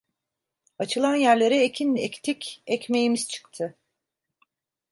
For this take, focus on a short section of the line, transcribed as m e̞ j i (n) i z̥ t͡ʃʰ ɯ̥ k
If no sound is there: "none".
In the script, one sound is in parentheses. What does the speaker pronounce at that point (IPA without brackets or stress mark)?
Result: m